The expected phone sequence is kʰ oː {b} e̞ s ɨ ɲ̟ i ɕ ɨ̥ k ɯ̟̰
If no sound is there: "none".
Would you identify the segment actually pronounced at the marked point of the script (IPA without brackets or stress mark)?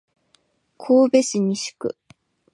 b